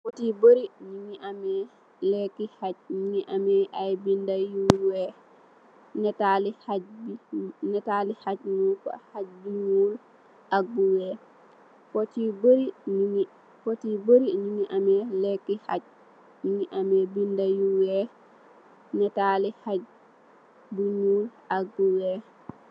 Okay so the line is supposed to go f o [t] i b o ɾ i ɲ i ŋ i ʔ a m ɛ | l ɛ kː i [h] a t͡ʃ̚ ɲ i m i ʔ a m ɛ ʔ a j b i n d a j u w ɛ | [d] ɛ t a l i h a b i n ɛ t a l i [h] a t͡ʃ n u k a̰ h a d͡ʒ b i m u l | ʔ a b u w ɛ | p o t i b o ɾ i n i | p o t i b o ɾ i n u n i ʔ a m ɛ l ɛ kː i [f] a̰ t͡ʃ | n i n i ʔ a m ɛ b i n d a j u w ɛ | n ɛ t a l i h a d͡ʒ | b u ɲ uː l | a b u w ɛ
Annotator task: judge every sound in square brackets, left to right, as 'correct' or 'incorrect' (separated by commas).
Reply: correct, correct, incorrect, correct, incorrect